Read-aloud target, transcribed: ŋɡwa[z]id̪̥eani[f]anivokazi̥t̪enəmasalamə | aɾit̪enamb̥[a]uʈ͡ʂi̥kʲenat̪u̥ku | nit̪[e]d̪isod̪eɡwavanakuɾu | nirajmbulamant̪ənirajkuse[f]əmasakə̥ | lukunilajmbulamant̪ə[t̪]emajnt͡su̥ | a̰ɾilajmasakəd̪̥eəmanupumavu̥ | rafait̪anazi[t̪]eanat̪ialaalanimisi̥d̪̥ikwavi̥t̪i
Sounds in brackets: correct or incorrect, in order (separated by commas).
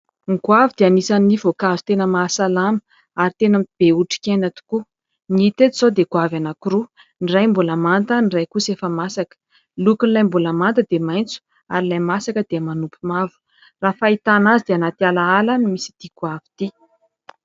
incorrect, incorrect, incorrect, correct, correct, incorrect, incorrect